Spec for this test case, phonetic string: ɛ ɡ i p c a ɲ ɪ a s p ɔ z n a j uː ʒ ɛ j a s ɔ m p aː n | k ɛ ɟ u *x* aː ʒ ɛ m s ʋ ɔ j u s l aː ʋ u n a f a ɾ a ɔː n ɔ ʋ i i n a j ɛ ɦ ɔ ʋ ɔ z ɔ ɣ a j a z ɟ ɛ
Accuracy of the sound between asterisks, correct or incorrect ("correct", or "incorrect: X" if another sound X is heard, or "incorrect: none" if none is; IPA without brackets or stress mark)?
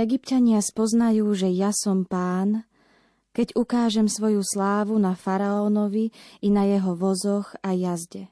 incorrect: k